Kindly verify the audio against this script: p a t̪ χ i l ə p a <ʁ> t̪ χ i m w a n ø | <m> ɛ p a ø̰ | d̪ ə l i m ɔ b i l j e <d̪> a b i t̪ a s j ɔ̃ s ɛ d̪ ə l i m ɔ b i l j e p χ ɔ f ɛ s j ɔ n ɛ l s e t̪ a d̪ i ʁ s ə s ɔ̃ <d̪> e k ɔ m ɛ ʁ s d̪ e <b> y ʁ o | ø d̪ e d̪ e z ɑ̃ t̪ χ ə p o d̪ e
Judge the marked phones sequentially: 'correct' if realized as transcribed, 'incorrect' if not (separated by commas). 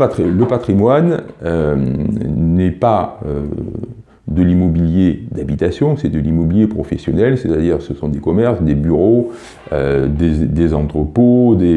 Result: incorrect, incorrect, correct, correct, correct